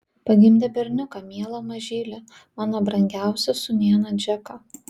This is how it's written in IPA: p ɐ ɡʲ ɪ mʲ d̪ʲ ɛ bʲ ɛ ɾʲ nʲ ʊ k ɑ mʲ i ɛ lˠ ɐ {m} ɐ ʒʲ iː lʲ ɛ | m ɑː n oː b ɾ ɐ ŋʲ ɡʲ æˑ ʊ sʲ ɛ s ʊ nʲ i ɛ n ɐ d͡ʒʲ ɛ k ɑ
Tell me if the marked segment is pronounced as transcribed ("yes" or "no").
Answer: yes